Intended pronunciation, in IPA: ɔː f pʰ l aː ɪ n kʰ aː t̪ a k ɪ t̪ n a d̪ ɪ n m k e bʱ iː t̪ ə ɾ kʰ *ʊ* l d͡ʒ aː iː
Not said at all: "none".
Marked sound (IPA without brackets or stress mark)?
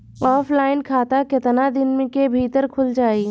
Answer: ʊ